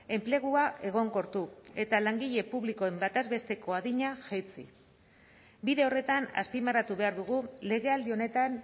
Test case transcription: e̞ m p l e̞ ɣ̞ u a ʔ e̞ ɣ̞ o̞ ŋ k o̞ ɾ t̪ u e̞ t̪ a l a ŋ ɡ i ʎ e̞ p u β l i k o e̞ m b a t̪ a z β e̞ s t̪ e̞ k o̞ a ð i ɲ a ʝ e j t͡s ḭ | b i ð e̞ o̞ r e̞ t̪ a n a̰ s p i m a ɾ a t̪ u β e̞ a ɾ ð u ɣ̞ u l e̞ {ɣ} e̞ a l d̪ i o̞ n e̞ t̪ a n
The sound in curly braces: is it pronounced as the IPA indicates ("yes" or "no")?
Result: yes